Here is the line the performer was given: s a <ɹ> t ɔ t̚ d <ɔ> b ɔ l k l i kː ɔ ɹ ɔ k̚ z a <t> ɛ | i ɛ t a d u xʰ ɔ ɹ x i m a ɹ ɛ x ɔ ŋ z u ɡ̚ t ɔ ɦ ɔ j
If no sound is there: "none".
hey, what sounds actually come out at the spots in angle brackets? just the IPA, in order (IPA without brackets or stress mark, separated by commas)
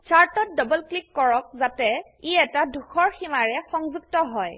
ɹ, ɔ, t